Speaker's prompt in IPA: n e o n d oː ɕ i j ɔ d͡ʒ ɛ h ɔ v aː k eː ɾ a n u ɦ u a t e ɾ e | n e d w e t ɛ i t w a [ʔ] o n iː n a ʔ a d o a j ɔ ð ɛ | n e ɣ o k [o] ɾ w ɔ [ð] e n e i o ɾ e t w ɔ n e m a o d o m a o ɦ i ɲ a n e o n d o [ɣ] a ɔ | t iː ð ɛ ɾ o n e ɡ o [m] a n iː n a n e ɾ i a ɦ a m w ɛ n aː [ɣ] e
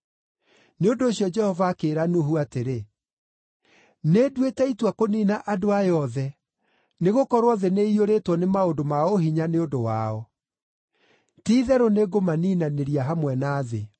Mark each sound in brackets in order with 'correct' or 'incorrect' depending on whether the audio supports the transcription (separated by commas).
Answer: incorrect, incorrect, correct, incorrect, correct, incorrect